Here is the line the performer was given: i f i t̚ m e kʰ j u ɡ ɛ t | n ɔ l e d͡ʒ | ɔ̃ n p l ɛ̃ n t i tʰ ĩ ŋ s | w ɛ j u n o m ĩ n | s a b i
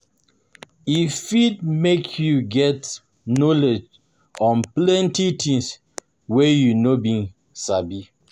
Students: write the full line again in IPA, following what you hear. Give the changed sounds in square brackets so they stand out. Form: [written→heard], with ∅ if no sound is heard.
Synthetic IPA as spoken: i f i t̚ m e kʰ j u ɡ ɛ t | n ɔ l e d͡ʒ | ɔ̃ n p l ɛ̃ n t i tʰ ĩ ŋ s | w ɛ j u n o [m→b] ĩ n | s a b i